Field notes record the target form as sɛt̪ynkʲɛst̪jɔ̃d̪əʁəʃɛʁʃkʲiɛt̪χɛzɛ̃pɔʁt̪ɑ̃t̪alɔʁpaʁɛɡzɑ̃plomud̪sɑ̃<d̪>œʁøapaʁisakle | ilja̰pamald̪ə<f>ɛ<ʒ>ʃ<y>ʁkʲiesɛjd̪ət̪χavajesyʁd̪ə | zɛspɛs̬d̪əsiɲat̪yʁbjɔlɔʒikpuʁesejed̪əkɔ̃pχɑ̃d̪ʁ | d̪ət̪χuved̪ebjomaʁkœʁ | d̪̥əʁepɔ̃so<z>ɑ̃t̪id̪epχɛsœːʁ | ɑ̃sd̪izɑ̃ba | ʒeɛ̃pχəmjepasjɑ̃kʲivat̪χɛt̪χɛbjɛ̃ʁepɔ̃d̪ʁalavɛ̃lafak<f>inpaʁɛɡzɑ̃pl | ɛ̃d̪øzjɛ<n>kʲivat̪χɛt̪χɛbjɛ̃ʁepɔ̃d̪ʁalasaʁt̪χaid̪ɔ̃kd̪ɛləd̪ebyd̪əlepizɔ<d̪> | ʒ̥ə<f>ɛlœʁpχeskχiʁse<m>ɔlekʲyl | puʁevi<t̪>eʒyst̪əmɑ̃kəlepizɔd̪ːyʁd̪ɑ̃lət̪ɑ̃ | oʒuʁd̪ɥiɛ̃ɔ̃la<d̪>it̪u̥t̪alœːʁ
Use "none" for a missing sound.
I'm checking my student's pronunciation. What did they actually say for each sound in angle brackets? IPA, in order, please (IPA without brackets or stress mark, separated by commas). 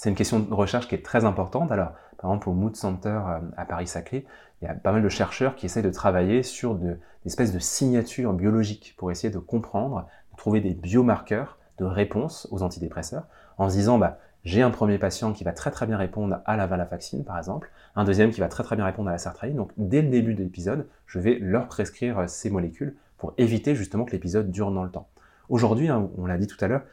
t̪, ʃ, ʁ, œ, z, s, m, d̪, v, m, t̪, d̪